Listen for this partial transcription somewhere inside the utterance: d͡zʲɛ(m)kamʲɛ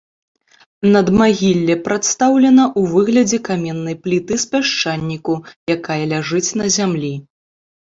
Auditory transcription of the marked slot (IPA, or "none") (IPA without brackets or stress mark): none